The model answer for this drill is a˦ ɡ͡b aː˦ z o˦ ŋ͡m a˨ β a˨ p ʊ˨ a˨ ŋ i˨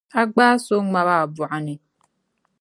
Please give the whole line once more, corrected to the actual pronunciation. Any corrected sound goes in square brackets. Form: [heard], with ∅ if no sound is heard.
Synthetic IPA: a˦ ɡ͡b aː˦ [s] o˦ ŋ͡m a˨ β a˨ [b] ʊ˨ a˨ [n] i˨